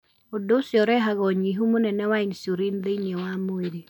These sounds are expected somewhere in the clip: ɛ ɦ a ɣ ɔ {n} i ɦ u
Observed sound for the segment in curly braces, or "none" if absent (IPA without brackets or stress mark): ɲ